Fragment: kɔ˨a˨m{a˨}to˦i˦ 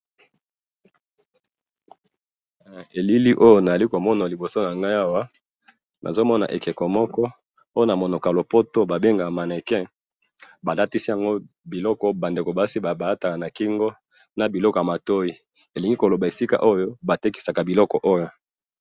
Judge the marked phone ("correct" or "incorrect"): correct